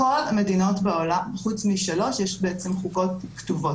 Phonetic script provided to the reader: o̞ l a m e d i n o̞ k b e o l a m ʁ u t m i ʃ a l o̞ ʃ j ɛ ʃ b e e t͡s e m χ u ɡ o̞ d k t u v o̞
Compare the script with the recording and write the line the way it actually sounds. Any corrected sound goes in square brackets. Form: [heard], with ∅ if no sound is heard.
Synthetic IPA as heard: o̞ l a m e d i n o̞ [t] b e o l a m [χ] u [t͡s] m i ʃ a l o̞ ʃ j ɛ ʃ b e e t͡s e m χ u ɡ o̞ [t] k t u v o̞